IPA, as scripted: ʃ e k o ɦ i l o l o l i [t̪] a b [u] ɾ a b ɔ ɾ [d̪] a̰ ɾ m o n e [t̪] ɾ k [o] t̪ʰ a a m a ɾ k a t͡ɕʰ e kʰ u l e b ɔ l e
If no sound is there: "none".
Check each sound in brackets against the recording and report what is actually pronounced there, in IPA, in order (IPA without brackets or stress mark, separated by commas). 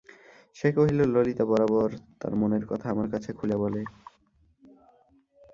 t̪, ɔ, t̪, none, ɔ